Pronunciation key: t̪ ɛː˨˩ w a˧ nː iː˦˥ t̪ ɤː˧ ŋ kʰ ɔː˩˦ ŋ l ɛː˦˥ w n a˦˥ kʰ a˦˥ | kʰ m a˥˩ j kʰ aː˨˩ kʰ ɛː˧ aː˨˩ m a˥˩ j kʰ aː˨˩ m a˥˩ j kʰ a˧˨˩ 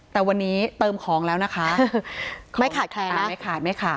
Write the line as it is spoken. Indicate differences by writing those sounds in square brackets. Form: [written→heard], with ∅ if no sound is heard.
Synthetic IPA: t̪ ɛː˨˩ w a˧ nː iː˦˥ t̪ ɤː˧ [ŋ→m] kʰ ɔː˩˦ ŋ l ɛː˦˥ w n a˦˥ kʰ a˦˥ | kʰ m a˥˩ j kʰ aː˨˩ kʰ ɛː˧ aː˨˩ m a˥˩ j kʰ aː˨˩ m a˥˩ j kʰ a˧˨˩